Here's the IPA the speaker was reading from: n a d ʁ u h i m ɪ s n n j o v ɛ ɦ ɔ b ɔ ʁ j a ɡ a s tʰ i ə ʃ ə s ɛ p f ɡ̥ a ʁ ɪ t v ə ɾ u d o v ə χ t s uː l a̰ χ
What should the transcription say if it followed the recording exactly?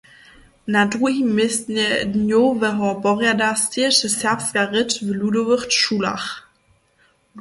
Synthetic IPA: n a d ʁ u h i m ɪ s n n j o v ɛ ɦ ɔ b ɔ ʁ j a d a s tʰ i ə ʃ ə s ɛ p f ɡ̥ a ʁ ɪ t v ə l u d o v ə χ t ʃ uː l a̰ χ